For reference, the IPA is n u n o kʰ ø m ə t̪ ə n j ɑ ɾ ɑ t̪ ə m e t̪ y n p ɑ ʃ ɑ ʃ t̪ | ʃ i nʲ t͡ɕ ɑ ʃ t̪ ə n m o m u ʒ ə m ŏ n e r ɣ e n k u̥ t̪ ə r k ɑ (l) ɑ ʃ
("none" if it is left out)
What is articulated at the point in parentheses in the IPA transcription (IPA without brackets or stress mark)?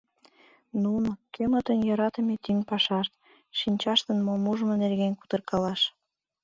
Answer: l